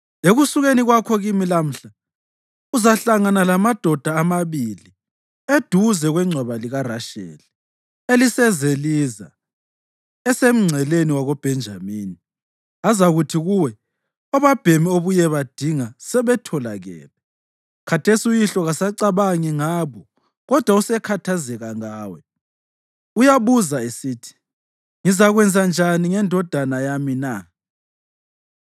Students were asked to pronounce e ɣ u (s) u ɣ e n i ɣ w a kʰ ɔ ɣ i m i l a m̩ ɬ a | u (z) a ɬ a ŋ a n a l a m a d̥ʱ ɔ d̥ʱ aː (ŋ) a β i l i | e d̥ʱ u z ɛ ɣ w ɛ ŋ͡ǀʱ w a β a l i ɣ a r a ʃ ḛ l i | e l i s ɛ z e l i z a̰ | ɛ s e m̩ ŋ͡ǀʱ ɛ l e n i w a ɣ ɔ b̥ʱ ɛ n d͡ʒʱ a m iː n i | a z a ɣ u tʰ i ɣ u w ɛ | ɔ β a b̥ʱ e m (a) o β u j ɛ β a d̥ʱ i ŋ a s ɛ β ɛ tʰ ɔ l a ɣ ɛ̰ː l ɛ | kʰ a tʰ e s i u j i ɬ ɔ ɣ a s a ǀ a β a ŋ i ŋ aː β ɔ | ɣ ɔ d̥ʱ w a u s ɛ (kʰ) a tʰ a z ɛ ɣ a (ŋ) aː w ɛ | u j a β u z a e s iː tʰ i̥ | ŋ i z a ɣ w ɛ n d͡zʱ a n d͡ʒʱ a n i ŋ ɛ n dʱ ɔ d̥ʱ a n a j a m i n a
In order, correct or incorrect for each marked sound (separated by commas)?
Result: correct, correct, incorrect, incorrect, correct, correct